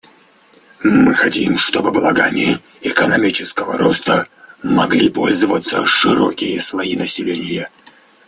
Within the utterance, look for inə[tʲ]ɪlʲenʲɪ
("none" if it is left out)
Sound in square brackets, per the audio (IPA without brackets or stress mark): sʲ